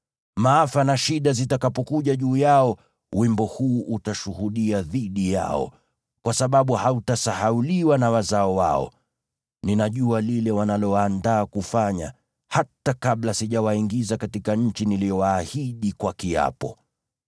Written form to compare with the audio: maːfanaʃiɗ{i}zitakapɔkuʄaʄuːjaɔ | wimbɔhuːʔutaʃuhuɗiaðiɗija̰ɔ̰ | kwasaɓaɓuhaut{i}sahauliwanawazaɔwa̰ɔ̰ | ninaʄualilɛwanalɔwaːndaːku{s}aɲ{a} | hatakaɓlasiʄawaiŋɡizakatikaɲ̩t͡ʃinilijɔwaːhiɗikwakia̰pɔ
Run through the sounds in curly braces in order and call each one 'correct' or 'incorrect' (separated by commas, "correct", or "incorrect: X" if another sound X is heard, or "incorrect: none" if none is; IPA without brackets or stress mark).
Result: incorrect: a, incorrect: a, incorrect: f, correct